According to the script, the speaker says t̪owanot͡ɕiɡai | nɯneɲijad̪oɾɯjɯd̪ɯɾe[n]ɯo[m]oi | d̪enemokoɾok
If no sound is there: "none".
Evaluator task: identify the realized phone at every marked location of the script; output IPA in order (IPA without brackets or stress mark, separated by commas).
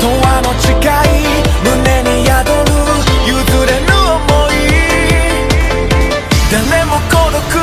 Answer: n, m